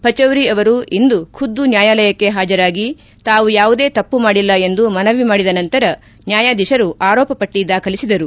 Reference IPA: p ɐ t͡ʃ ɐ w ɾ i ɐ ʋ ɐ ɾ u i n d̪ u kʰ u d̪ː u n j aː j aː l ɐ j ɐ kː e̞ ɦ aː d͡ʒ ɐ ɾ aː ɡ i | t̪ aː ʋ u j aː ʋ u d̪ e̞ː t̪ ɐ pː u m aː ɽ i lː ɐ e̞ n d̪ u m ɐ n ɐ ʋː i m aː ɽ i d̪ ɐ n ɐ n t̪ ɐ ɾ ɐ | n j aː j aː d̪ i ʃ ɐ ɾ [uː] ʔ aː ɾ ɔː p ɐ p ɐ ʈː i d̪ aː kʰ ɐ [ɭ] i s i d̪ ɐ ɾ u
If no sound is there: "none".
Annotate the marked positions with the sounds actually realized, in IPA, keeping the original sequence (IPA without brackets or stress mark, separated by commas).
u, l